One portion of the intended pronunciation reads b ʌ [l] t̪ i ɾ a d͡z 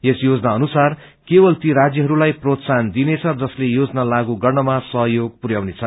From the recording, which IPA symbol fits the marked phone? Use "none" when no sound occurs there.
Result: l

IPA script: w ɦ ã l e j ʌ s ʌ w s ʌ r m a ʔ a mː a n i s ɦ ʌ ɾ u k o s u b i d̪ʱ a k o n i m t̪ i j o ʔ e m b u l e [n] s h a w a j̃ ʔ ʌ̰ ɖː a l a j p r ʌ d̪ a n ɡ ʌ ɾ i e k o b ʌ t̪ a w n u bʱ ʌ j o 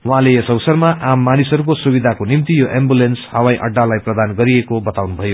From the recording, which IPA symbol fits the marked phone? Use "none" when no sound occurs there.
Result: n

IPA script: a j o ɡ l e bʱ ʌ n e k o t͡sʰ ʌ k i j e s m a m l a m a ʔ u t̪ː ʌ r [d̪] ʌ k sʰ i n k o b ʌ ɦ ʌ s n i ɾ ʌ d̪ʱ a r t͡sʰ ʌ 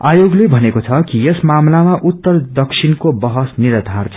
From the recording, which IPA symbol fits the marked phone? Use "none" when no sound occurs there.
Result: d̪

